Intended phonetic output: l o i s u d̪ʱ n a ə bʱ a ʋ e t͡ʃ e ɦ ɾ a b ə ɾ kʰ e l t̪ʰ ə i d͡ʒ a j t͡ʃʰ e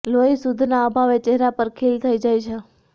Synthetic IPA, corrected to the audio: l o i s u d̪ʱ n a ə bʱ a ʋ e t͡ʃ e ɦ ɾ a p ə ɾ kʰ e l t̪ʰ ə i d͡ʒ a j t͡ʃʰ e